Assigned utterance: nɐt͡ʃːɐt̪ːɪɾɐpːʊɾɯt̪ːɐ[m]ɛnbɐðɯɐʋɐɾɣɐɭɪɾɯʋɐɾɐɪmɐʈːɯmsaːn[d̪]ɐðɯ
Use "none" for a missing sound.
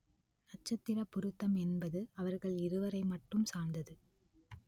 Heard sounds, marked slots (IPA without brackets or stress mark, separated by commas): m, d̪